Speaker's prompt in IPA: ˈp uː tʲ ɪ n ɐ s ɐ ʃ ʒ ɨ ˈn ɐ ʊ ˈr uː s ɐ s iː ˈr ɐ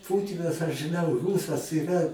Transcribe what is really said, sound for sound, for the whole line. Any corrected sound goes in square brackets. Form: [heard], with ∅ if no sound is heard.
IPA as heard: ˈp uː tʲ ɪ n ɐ s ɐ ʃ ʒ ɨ ˈn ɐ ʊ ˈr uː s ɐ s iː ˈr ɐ